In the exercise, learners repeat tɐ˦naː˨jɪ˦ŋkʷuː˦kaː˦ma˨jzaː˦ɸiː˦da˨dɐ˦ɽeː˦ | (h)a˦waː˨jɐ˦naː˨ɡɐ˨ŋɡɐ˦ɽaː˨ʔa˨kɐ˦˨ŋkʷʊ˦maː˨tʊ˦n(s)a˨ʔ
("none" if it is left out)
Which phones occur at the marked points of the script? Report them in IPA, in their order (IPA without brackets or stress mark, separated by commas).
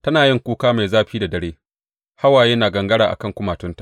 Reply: h, t